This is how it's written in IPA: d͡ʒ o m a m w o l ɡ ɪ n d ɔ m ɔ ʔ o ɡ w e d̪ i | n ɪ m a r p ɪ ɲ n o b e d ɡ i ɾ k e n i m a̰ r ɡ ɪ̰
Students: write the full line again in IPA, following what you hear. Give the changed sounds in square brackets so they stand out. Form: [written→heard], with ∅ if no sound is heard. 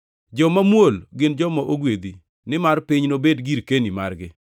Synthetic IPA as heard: d͡ʒ [o→ɔ] m a m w o l ɡ ɪ n [d→d͡ʒ] ɔ m ɔ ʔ o ɡ w e d̪ i | n ɪ m a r p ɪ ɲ n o b e d ɡ i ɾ k e n i m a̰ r ɡ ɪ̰